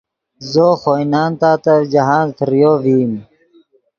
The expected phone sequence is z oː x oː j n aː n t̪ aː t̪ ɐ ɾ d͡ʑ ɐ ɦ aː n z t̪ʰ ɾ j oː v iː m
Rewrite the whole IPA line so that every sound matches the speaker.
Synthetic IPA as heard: z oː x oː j n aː n t̪ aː t̪ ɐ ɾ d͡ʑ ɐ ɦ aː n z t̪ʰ ɾ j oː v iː m